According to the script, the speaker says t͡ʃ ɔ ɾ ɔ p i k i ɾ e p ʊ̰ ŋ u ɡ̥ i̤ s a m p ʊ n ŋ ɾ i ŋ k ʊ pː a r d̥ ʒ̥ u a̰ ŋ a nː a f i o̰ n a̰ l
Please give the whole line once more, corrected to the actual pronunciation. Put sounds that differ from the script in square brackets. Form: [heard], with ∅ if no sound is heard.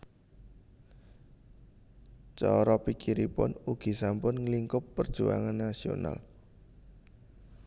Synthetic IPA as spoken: t͡ʃ ɔ ɾ ɔ p i k i ɾ [i] p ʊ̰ [n] u ɡ̥ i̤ s a m p ʊ n ŋ [l] i ŋ k ʊ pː [ə] r d̥ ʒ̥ u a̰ ŋ a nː a [s] i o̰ n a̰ l